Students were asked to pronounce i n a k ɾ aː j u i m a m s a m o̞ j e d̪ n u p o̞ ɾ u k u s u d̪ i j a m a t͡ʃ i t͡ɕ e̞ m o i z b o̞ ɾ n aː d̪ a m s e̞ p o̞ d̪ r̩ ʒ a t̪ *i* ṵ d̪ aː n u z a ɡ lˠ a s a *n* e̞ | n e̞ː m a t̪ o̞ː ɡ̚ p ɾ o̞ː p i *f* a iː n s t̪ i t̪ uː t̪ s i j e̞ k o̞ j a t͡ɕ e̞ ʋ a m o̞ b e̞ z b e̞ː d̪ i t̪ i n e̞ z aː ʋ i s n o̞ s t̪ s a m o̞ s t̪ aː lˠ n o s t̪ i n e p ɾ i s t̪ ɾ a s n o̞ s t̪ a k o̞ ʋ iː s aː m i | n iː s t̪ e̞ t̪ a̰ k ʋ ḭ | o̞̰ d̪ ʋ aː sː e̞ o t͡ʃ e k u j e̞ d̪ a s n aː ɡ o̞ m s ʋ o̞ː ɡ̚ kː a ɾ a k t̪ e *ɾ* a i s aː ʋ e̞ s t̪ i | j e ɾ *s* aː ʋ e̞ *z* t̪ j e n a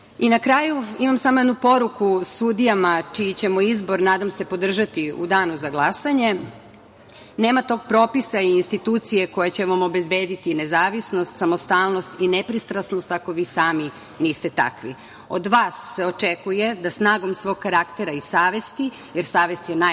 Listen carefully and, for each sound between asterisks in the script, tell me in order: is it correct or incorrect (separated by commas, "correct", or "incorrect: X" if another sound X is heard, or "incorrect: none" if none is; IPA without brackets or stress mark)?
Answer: correct, incorrect: ɲ, incorrect: s, correct, correct, incorrect: s